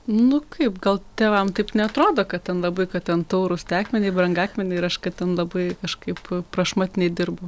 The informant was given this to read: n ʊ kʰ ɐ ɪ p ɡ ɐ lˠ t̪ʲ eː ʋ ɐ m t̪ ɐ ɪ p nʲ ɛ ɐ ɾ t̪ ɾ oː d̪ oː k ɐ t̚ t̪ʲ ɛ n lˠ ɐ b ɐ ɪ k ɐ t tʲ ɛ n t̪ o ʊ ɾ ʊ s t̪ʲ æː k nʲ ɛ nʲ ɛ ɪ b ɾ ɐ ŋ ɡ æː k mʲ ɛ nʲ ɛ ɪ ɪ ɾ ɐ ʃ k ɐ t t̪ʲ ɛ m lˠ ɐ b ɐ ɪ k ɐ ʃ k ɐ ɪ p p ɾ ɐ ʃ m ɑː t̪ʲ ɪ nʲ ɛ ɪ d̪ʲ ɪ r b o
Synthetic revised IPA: n ʊ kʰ ɐ ɪ p ɡ ɐ lˠ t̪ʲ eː ʋ ɐ m t̪ ɐ ɪ p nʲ ɛ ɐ t̪ ɾ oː d̪ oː k ɐ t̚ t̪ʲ ɛ n lˠ ɐ b ɐ ɪ k ɐ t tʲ ɛ n t̪ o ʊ ɾ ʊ s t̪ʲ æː k mʲ ɛ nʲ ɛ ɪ b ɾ ɐ ŋ ɡ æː k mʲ ɛ nʲ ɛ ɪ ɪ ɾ ɐ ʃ k ɐ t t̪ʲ ɛ n lˠ ɐ b ɐ ɪ k ɐ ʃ k ɐ ɪ p p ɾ ɐ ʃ m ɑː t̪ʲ ɪ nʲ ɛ ɪ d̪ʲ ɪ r b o